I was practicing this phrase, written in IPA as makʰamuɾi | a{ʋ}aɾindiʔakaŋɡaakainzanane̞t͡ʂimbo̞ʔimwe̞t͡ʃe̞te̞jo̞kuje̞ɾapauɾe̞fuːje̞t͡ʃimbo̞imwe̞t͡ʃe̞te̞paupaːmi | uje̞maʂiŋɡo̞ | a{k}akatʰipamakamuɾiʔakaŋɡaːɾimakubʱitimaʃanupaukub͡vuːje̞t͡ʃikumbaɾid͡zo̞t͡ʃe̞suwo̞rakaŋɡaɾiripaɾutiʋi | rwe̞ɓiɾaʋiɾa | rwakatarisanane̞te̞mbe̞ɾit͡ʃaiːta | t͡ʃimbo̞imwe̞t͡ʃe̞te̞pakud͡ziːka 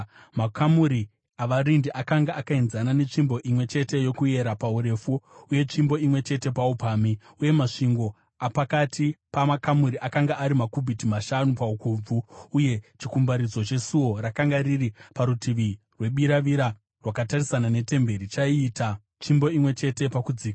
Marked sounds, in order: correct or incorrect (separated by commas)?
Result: correct, incorrect